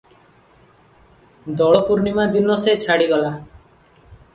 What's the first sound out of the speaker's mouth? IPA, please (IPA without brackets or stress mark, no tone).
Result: d̪